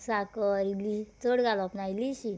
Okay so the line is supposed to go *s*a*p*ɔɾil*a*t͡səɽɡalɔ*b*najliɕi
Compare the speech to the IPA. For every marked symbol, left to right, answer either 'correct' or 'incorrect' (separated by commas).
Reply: correct, incorrect, incorrect, incorrect